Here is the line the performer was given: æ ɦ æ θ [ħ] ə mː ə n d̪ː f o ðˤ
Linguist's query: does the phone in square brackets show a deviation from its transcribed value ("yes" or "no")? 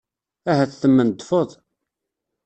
yes